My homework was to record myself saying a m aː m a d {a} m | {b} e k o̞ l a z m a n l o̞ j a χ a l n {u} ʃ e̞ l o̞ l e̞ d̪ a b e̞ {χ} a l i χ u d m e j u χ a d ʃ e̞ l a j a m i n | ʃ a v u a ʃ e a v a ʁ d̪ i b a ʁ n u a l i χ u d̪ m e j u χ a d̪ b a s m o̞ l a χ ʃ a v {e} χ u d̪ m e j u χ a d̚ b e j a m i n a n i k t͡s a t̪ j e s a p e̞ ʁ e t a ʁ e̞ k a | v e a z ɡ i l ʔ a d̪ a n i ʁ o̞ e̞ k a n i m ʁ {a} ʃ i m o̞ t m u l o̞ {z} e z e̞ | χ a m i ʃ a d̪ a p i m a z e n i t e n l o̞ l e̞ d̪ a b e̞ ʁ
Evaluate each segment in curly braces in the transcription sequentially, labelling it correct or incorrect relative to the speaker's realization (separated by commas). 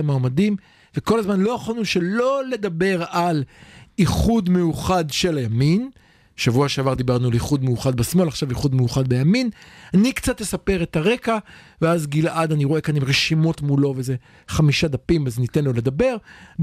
incorrect, incorrect, correct, incorrect, incorrect, incorrect, incorrect